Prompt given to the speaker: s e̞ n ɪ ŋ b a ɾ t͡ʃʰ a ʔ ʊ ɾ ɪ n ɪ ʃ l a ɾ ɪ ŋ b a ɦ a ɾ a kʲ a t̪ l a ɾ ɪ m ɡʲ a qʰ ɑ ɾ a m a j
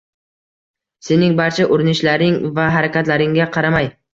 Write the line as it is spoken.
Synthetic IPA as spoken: s e̞ n ɪ ŋ b a ɾ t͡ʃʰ a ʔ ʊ ɾ ɪ n ɪ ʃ l a ɾ ɪ ŋ v a ɦ a ɾ a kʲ a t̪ l a ɾ ɪ ŋ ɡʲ a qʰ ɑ ɾ a m a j